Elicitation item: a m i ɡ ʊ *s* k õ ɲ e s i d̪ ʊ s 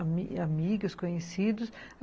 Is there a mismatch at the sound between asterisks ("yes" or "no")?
no